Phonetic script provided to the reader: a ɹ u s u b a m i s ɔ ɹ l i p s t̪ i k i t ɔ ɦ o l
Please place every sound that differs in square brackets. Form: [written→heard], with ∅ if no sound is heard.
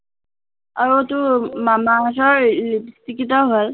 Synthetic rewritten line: a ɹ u [s→t] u [b→m] a m [i→a] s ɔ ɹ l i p s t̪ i k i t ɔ ɦ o l